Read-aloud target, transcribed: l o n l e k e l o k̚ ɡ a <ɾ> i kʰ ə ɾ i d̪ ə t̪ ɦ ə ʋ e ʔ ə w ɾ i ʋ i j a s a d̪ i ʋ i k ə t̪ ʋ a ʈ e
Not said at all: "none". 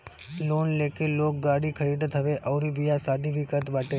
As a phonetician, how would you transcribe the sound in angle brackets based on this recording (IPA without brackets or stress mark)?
ɽ